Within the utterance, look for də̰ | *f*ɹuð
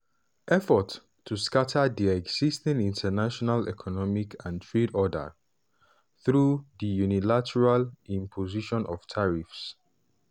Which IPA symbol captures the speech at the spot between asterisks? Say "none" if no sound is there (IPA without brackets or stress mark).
θ